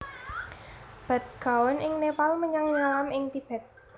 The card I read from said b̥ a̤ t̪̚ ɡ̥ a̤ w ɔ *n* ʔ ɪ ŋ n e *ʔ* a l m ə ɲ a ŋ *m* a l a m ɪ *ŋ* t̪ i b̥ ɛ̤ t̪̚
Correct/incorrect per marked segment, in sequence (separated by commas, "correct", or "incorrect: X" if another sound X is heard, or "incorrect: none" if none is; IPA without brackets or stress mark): correct, incorrect: p, incorrect: ɲ, correct